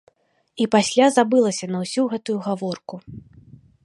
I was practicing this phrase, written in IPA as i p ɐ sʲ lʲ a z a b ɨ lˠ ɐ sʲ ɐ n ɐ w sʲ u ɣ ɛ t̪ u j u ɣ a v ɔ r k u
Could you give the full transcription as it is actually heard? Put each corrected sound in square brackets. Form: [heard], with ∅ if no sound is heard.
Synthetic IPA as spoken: i p [a] sʲ lʲ a z a b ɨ lˠ ɐ sʲ ɐ n ɐ w sʲ u ɣ ɛ t̪ u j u ɣ a v ɔ r k u